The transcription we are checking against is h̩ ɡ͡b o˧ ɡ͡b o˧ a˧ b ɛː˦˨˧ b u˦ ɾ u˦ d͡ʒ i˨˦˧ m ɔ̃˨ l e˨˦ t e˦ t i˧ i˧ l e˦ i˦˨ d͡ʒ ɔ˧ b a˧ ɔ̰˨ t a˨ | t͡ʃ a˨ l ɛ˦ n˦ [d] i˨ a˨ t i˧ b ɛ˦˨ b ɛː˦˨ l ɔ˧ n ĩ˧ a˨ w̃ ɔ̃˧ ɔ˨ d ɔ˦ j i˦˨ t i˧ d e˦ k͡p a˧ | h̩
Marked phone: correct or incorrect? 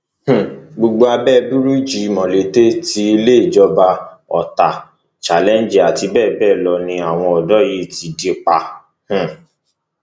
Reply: incorrect